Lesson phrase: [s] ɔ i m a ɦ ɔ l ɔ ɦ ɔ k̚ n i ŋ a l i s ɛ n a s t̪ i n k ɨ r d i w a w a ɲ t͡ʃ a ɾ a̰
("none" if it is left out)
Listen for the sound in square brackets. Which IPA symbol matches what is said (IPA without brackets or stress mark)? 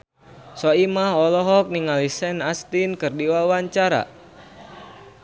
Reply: s